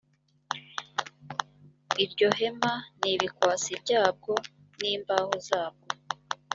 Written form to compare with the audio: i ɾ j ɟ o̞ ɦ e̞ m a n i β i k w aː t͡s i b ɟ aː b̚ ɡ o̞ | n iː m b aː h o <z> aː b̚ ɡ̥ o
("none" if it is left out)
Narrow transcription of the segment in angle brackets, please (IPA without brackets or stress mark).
z